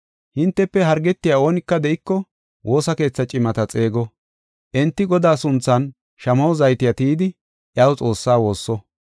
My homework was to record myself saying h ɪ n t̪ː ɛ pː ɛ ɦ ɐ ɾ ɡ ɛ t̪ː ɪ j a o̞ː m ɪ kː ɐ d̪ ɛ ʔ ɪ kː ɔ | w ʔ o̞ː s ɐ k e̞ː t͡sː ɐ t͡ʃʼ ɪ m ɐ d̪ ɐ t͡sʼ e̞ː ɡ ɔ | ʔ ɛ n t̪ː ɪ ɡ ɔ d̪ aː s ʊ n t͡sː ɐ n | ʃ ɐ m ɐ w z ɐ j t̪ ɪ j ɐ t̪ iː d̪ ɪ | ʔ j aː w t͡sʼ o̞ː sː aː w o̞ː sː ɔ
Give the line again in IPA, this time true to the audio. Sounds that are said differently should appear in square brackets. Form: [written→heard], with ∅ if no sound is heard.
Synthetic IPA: h ɪ n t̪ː ɛ pː ɛ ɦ ɐ ɾ ɡ ɛ t̪ː ɪ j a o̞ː [m→n] ɪ kː ɐ d̪ ɛ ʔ ɪ kː ɔ | w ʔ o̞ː s ɐ k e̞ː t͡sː ɐ t͡ʃʼ ɪ m ɐ [d̪→t̪] ɐ t͡sʼ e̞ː ɡ ɔ | ʔ ɛ n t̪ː ɪ ɡ ɔ d̪ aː s ʊ n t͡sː ɐ n | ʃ ɐ m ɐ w z ɐ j t̪ ɪ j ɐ t̪ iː d̪ ɪ | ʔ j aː w t͡sʼ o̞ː sː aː w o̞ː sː ɔ